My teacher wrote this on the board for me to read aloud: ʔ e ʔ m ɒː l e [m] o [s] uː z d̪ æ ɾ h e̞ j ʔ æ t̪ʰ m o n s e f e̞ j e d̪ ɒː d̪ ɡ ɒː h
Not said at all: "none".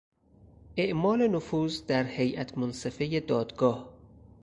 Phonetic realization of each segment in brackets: n, f

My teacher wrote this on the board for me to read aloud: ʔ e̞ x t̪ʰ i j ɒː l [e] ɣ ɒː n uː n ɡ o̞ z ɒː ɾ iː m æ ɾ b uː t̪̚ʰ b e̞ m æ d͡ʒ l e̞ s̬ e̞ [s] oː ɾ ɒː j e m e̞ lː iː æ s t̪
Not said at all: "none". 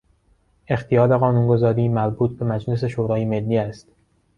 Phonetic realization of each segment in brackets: e, ʃ

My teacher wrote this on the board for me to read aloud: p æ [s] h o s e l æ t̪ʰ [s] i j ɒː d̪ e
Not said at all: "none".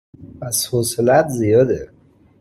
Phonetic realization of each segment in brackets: s, z

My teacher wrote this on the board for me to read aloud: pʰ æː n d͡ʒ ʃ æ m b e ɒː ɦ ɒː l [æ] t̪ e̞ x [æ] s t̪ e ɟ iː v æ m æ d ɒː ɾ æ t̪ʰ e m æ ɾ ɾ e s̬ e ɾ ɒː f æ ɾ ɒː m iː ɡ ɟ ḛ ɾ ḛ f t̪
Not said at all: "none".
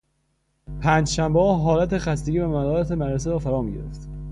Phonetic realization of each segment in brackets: æ, æ

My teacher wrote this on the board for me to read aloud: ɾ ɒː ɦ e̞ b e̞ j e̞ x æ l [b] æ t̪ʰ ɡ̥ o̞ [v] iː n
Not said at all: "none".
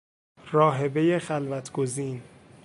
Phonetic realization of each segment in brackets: v, z

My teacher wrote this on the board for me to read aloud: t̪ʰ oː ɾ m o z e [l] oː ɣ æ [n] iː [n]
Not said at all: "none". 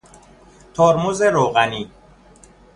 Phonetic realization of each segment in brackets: ɾ, n, none

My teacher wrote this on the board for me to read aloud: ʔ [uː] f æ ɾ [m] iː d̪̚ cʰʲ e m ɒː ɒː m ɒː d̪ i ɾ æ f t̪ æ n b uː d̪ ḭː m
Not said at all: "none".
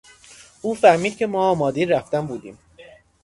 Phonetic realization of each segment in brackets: uː, m

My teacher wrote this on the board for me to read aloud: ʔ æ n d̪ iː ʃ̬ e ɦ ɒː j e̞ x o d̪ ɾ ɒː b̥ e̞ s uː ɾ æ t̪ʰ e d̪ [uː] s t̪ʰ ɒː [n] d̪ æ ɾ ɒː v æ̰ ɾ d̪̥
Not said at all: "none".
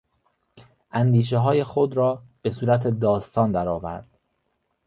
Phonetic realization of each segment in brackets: ɒː, n

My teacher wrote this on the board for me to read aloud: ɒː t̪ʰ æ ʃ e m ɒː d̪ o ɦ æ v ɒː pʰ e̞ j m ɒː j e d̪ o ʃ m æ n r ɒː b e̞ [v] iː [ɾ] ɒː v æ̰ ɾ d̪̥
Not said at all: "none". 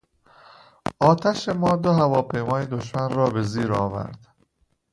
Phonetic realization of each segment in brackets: z, ɾ

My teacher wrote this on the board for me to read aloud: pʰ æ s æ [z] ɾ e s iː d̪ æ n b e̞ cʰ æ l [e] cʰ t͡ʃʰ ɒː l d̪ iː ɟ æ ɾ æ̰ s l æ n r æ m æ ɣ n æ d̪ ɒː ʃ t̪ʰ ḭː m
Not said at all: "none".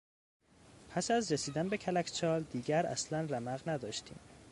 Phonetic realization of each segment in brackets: z, æ

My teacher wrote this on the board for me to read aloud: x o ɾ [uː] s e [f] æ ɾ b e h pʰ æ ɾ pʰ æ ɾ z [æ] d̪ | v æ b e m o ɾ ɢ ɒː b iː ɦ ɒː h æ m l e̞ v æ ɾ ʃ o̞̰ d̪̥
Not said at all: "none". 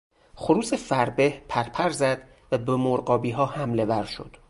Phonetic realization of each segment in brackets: uː, f, æ

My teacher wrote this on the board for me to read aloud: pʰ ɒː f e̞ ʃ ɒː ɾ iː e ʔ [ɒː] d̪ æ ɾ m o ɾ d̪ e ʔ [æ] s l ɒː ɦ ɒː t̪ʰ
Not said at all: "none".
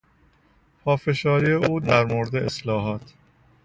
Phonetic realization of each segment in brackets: uː, e

